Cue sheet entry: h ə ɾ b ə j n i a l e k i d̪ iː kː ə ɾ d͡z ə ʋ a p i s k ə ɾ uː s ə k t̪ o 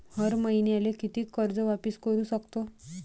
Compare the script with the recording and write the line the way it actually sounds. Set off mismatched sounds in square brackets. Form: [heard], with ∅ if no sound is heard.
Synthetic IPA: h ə ɾ [m] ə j n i a l e k i [t̪] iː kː ə ɾ d͡z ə ʋ a p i s k ə ɾ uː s ə k t̪ o